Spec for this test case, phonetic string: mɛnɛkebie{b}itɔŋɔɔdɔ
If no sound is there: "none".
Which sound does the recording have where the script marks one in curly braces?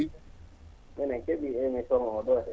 m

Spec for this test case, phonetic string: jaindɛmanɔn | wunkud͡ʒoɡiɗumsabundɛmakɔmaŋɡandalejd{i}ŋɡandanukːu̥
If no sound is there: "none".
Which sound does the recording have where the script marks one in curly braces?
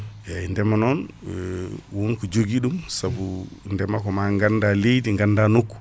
i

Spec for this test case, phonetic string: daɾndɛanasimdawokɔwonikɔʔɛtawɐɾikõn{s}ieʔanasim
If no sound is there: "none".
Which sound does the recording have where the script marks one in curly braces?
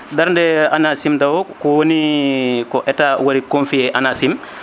f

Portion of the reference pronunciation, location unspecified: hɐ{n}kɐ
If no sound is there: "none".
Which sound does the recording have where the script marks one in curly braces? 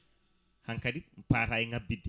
ŋ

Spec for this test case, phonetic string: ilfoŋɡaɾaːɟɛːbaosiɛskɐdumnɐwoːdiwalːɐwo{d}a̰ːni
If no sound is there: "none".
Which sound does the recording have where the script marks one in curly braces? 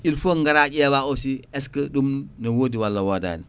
d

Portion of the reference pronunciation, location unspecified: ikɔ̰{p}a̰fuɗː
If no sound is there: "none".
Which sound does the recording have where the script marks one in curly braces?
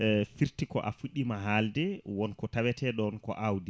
ʔ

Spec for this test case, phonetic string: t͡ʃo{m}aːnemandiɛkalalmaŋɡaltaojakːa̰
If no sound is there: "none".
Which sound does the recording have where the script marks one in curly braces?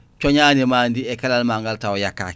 ɲ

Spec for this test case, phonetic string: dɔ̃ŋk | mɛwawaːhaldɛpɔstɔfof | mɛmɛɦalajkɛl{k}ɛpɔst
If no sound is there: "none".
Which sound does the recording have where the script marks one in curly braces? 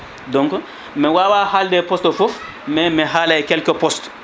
k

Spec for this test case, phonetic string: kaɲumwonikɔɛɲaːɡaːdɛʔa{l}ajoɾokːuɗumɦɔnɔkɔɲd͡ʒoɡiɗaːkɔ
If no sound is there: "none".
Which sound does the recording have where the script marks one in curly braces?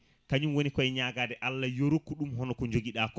lː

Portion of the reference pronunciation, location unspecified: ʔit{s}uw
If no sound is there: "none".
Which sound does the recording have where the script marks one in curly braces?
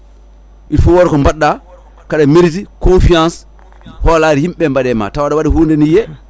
f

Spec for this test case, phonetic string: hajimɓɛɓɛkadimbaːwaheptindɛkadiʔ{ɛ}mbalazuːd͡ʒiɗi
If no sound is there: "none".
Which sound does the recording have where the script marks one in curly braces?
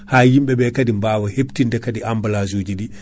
a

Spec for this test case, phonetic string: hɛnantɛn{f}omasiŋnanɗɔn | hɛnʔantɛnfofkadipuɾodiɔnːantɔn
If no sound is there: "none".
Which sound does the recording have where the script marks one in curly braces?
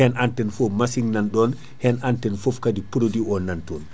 f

